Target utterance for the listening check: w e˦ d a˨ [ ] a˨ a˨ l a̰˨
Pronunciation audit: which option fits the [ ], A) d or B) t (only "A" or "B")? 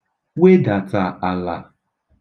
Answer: B